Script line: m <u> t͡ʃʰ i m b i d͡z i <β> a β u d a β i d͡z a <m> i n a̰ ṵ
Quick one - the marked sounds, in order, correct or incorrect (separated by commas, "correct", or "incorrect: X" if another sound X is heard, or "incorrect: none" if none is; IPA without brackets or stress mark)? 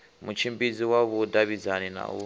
correct, incorrect: w, incorrect: n